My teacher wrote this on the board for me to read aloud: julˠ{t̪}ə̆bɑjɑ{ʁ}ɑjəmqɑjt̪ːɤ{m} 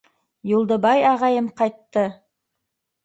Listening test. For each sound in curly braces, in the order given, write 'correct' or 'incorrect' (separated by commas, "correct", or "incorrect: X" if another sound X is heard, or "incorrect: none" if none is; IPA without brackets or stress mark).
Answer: incorrect: d̪, correct, incorrect: none